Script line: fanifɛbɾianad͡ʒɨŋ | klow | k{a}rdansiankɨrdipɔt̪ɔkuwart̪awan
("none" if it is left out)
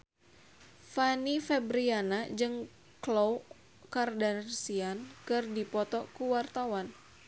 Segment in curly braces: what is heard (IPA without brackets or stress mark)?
a